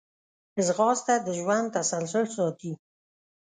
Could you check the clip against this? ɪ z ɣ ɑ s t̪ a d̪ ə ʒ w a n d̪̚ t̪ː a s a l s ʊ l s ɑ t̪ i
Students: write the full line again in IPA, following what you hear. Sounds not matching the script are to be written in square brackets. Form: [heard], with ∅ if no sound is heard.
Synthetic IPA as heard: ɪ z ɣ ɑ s t̪ a d̪ ə ʒ w a n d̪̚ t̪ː a s a l s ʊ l s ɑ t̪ i

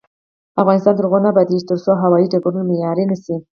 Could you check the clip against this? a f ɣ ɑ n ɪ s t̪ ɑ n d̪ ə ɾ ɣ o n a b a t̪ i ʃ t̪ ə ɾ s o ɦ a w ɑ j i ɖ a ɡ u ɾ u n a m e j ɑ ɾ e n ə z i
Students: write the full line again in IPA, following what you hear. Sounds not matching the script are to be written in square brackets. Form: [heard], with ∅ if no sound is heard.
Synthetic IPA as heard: a f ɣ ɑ n ɪ s t̪ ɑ n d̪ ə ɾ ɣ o n a b a [d̪] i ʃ t̪ ə ɾ s o ɦ a w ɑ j i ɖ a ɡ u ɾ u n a m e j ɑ ɾ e n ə [s] i

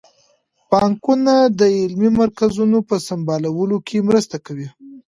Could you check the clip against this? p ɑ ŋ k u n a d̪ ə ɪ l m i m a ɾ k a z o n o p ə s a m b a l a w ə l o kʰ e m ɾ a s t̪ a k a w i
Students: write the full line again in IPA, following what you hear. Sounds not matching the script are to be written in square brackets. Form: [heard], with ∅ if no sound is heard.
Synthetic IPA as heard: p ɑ ŋ k u n a d̪ ə ɪ l m i m a ɾ k a z [u] n o p ə s a m b [ɑ] l a w ə l o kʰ e m ɾ [ə] s t̪ a k a w i

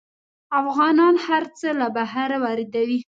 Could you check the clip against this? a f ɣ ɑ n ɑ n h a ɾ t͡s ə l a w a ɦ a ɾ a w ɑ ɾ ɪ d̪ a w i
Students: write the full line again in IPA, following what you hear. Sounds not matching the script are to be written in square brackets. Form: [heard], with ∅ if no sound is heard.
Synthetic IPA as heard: a f ɣ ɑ n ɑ n h a ɾ t͡s ə l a [b] a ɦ a ɾ a w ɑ ɾ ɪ d̪ a w i

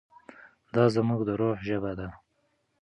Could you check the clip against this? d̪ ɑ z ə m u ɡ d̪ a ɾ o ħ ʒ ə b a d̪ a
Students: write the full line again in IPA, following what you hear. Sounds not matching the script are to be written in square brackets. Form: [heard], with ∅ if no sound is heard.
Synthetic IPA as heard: d̪ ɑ z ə m u ɡ d̪ [ə] ɾ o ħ ʒ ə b a d̪ a

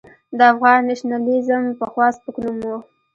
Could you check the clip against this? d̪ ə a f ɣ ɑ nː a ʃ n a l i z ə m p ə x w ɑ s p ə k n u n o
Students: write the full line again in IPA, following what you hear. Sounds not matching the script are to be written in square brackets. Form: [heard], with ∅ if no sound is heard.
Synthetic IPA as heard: d̪ ə a f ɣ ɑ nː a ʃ n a l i z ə m p ə x w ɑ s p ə k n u [m] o

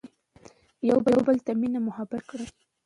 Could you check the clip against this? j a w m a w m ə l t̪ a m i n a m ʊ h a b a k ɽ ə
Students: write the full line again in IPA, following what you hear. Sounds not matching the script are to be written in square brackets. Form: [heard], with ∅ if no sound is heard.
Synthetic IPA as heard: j a w [b] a w [b] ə l t̪ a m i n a m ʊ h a b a k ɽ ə

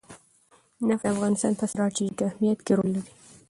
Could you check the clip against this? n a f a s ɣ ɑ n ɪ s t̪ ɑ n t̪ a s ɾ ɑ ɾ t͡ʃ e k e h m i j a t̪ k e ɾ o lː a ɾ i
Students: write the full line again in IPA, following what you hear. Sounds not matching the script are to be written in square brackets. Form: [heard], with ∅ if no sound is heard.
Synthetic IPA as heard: n a f a [f] ɣ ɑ n ɪ s t̪ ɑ n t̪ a s ɾ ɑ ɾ t͡ʃ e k [a] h m i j a t̪ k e ɾ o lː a ɾ i

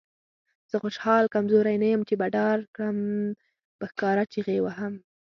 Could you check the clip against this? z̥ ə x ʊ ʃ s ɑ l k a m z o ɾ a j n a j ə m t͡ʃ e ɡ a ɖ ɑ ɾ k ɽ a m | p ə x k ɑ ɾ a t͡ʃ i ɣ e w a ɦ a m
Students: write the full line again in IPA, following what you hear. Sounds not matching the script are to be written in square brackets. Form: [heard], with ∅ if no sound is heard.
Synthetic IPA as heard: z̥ ə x ʊ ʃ [h] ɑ l k a m z o ɾ a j n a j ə m t͡ʃ e [b] a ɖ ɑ ɾ k ɽ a m | p ə x k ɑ ɾ a t͡ʃ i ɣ e w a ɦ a m

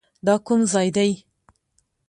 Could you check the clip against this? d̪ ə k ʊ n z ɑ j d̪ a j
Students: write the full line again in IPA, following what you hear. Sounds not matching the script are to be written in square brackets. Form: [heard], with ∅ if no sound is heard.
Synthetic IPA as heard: d̪ [ɑ] k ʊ [m] z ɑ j d̪ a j

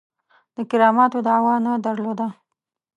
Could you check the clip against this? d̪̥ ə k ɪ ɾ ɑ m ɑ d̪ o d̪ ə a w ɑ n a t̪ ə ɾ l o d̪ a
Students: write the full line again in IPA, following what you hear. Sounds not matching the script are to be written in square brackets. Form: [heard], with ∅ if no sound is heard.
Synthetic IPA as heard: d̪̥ ə k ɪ ɾ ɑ m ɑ [t̪] o d̪ ə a w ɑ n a [d̪] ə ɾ l o d̪ a

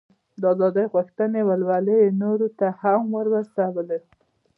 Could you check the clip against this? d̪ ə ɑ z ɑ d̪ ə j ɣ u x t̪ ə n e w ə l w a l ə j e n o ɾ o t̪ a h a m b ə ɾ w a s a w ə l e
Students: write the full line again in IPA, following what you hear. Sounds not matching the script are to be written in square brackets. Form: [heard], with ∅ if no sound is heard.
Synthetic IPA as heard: d̪ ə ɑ z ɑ d̪ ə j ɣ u x t̪ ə n e w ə l w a l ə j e n o ɾ o t̪ a h a m [w] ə ɾ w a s a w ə l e

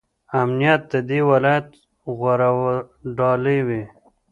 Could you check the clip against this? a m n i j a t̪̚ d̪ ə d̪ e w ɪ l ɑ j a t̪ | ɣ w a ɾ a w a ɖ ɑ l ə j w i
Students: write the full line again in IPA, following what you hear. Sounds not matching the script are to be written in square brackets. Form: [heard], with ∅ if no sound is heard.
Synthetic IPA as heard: a m n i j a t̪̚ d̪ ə d̪ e w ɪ l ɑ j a t̪ | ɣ w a ɾ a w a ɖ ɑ l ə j w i

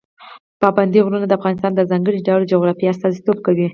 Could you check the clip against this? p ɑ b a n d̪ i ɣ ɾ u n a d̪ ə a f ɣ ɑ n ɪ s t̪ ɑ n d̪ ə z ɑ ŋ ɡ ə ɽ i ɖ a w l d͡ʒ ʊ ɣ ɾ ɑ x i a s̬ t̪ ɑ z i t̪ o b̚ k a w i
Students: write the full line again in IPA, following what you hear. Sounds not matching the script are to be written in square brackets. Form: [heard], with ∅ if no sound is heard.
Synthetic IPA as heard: p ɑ b a n d̪ i ɣ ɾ u n a d̪ ə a f ɣ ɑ n ɪ s t̪ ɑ n d̪ ə z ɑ ŋ ɡ ə ɽ i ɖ a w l d͡ʒ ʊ ɣ ɾ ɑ [f] i a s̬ t̪ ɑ z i t̪ o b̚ k a w i

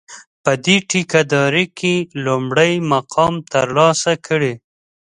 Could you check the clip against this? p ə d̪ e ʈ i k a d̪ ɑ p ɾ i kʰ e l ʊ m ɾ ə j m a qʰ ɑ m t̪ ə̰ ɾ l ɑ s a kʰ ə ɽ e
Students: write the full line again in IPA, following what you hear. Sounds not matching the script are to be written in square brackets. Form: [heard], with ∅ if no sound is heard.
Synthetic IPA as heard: p ə d̪ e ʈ i k a d̪ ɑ [∅] ɾ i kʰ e l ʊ m [ɽ] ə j m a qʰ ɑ m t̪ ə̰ ɾ l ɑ s a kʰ ə ɽ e

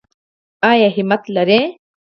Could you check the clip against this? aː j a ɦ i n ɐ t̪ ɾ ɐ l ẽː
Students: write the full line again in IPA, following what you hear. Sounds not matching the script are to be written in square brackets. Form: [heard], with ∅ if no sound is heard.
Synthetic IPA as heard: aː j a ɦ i [m] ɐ t̪ [l] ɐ [ɾ] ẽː

